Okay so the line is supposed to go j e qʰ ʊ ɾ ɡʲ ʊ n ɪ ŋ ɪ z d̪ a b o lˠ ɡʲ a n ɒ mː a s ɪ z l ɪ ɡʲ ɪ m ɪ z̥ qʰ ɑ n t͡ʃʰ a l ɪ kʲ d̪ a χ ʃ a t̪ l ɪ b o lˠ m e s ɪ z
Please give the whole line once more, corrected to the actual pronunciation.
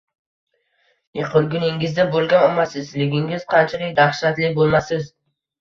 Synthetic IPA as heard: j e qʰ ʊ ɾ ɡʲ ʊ n ɪ ŋ ɪ z d̪ a b o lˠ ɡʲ a n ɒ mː a s ɪ z l ɪ ɡʲ ɪ ŋ ɪ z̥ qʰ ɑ n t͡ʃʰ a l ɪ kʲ d̪ a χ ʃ a t̪ l ɪ b o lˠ m a s ɪ z